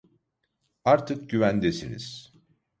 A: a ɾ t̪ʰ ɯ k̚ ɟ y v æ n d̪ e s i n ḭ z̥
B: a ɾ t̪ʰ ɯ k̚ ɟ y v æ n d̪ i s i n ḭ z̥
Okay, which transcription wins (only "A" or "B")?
A